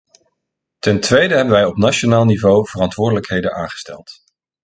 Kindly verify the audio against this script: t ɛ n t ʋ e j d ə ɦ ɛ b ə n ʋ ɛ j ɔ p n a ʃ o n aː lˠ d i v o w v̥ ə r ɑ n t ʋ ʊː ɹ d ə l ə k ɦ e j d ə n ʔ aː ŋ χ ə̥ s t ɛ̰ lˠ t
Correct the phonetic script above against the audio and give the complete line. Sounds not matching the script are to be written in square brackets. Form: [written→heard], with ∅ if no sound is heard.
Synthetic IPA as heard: t ɛ n t ʋ e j d ə ɦ ɛ b ə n ʋ ɛ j ɔ p n a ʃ o n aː lˠ [d→n] i v o w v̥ ə r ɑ n t ʋ ʊː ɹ d ə l ə k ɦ e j d ə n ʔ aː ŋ χ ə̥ s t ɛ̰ lˠ t